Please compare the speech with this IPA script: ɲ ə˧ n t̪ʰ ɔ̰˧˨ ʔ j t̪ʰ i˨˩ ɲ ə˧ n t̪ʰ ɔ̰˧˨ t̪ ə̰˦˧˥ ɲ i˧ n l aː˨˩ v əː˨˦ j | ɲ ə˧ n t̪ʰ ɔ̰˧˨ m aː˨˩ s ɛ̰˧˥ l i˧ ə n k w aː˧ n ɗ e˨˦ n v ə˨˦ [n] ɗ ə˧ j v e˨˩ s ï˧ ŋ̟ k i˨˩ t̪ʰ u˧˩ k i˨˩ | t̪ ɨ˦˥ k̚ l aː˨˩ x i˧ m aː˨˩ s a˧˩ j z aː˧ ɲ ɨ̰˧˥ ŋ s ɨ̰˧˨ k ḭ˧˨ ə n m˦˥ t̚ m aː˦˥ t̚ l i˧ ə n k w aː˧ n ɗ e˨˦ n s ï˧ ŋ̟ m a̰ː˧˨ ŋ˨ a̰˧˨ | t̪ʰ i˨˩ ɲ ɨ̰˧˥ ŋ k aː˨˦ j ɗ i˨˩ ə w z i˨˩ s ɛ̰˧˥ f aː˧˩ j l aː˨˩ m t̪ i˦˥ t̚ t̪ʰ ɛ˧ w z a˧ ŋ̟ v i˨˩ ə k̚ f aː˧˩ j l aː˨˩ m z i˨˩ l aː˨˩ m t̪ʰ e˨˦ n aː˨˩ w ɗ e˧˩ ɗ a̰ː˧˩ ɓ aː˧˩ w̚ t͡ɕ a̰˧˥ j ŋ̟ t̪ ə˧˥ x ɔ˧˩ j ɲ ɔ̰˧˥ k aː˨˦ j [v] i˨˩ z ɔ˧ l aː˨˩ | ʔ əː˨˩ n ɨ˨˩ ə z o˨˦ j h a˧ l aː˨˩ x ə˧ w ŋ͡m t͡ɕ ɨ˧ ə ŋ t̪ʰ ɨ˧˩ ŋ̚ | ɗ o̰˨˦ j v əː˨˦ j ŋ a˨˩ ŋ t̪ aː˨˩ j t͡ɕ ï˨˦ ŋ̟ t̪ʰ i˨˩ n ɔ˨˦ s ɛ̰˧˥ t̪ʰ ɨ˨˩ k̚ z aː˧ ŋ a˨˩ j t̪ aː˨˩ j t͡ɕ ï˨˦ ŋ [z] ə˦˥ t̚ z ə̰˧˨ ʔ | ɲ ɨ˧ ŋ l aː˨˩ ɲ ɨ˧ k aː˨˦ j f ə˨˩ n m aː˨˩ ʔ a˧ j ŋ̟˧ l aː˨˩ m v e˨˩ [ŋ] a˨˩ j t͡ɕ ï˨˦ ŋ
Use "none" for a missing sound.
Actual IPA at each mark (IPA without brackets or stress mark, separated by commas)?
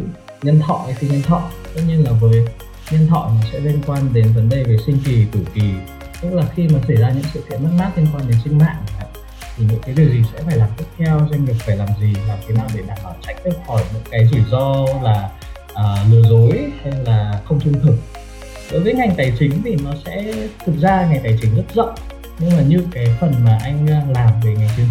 n, z, z, ŋ